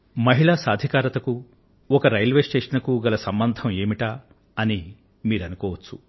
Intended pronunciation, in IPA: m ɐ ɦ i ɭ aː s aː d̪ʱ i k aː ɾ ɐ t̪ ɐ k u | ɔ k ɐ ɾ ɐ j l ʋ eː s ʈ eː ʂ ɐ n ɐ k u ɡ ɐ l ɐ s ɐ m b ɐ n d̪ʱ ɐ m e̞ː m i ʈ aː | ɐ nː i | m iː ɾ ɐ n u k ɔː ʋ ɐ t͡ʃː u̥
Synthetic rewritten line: m ɐ ɦ i ɭ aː s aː d̪ʱ i k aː ɾ ɐ t̪ ɐ k u | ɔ k ɐ ɾ ɐ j l ʋ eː s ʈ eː ʂ ɐ n ɐ k u ɡ ɐ l ɐ s ɐ m b ɐ n d̪ʱ ɐ m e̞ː m i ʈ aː | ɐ n i | m iː ɾ ɐ n u k ɔː ʋ ɐ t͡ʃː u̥